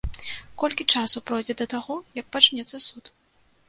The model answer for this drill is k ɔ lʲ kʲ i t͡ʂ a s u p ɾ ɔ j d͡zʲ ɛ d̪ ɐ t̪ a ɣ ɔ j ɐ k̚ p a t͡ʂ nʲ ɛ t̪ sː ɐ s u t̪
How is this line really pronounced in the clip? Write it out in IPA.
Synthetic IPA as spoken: k ɔ lʲ kʲ i t͡ʂ a s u p ɾ ɔ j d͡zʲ ɛ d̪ ɐ t̪ a ɣ ɔ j ɐ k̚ p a t͡ʂ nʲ ɛ t̪ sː ɐ s u t̪

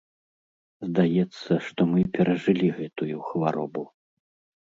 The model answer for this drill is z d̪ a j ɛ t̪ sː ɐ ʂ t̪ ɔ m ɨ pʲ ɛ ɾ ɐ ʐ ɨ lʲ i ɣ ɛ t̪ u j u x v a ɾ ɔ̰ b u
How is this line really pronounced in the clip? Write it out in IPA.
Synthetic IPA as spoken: z d̪ a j ɛ t̪ sː ɐ ʂ t̪ ɔ m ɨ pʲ ɛ ɾ ɐ ʐ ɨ lʲ i ɣ ɛ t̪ u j u x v a ɾ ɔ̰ b u

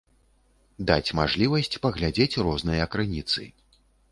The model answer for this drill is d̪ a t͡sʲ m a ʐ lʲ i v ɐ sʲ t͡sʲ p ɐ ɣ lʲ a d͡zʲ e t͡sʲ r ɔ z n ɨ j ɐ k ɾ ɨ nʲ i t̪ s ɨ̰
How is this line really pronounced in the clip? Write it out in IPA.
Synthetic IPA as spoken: d̪ a t͡sʲ m a ʐ lʲ i v ɐ sʲ t͡sʲ p ɐ ɣ lʲ a d͡zʲ e t͡sʲ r ɔ z n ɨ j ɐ k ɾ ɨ nʲ i t̪ s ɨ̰

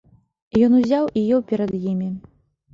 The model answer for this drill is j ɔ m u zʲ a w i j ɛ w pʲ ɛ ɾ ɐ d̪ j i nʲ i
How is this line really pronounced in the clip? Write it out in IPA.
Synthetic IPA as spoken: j ɔ n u zʲ a w i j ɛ w pʲ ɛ ɾ ɐ d̪ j i mʲ i

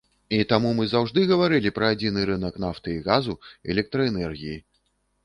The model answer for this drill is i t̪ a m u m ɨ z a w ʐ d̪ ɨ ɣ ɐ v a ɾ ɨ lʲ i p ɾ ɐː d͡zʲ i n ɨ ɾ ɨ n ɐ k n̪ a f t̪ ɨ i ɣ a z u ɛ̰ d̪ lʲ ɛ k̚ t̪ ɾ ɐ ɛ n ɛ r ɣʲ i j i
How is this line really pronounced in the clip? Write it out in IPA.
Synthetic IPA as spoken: i t̪ a m u m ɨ z a w ʐ d̪ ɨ ɣ ɐ v a ɾ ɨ lʲ i p ɾ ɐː d͡zʲ i n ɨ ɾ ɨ n ɐ k n̪ a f t̪ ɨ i ɣ a z u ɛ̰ lʲ ɛ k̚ t̪ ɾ ɐ ɛ n ɛ r ɣʲ i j i

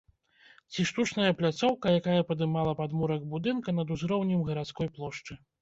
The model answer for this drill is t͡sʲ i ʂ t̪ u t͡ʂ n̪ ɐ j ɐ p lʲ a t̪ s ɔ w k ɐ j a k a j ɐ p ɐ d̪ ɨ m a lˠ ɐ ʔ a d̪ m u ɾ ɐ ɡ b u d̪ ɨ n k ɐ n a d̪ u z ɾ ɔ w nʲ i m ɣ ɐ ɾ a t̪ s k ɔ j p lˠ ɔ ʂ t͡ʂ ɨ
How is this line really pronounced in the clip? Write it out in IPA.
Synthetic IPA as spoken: t͡sʲ i ʂ t̪ u t͡ʂ n̪ ɐ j ɐ p lʲ a t̪ s ɔ w k ɐ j a k a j ɐ p ɐ d̪ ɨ m a lˠ ɐ p a d̪ m u ɾ ɐ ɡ b u d̪ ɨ n k ɐ n ɐ d̪ u z ɾ ɔ w nʲ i m ɣ ɐ ɾ a t̪ s k ɔ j p lˠ ɔ ʂ t͡ʂ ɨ

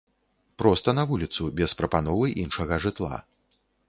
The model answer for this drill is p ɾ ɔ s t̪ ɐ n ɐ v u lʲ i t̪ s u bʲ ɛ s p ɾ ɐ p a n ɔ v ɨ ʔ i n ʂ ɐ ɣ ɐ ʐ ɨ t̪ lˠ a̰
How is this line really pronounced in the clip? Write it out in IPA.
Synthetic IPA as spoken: p ɾ ɔ s t̪ ɐ n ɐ v u lʲ i t̪ s u bʲ ɛ s p ɾ ɐ p a n ɔ v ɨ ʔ i n ʂ ɐ ɣ ɐ ʐ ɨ t̪ lˠ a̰

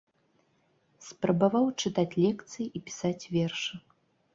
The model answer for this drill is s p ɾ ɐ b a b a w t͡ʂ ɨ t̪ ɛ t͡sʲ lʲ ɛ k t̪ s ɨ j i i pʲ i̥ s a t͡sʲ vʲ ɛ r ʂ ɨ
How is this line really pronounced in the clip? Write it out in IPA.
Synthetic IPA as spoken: s p ɾ ɐ b a v a w t͡ʂ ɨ t̪ a t͡sʲ lʲ ɛ k t̪ s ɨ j i i pʲ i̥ s a t͡sʲ vʲ ɛ r ʂ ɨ

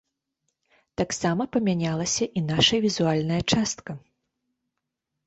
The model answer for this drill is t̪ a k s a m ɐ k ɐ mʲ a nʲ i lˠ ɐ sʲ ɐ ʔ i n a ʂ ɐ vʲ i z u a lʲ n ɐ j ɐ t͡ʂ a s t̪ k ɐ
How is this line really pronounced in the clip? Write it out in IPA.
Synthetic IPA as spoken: t̪ a k s a m ɐ p ɐ mʲ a nʲ a lˠ ɐ sʲ ɐ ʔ i n a ʂ ɐ vʲ i z u a lʲ n ɐ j ɐ t͡ʂ a s t̪ k ɐ

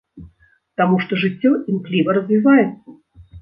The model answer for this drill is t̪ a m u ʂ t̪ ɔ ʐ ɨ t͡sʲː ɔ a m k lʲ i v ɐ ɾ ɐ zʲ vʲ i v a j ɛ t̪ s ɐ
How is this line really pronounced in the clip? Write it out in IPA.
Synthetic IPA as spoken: t̪ a m u ʂ t̪ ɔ ʐ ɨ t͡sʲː ɔ i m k lʲ i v ɐ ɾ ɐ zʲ vʲ i v a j ɛ t̪ s ɐ

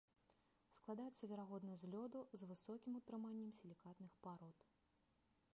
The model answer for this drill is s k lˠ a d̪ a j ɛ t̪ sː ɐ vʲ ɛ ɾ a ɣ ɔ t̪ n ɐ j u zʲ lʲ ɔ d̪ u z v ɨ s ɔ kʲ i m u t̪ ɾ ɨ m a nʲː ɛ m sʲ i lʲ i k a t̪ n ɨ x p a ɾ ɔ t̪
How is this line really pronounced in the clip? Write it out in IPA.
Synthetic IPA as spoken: s k lˠ a d̪ a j ɛ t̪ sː ɐ vʲ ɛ ɾ a ɣ ɔ d̪ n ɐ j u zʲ lʲ ɔ d̪ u z v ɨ s ɔ kʲ i m u t̪ ɾ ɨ m a nʲː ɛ m sʲ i lʲ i k a t̪ n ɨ x p a ɾ ɔ t̪

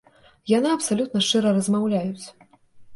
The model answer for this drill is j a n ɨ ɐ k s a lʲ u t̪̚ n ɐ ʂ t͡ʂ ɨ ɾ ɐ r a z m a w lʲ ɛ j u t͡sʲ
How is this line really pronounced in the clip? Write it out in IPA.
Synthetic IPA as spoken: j a n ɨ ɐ p s a lʲ u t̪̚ n ɐ ʂ t͡ʂ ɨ ɾ ɐ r ɐ z m a w lʲ a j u t͡sʲ

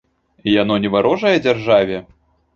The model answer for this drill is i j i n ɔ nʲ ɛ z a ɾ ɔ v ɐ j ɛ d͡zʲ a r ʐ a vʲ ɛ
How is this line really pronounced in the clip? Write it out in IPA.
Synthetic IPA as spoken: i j a n ɔ nʲ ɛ v a ɾ ɔ ʐ ɐ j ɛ d͡zʲ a r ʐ a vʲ ɛ

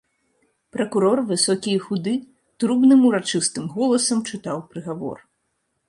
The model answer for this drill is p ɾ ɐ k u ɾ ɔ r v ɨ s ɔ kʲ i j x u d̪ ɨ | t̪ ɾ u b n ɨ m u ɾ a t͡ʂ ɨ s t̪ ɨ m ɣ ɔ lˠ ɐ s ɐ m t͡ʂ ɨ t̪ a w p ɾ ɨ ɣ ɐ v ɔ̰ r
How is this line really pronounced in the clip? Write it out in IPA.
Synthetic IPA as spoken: p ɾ ɐ k u ɾ ɔ r v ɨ s ɔ kʲ i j x u d̪ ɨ | t̪ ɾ u b n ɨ m u ɾ a t͡ʂ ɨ s t̪ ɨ m ɣ ɔ lˠ ɐ s ɐ m t͡ʂ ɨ t̪ a w p ɾ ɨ ɣ a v ɔ̰ r

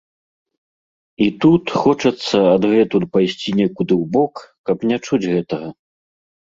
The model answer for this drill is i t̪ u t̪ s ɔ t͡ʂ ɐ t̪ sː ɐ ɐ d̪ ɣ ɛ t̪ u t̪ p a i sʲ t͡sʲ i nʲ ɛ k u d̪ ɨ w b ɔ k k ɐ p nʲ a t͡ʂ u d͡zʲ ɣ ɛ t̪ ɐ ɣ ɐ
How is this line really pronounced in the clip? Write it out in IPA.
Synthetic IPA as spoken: i t̪ u t̪ x ɔ t͡ʂ ɐ t̪ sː ɐ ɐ d̪ ɣ ɛ t̪ u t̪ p a j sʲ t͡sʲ i nʲ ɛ k u d̪ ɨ w b ɔ k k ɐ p nʲ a t͡ʂ u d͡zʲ ɣ ɛ t̪ ɐ ɣ ɐ

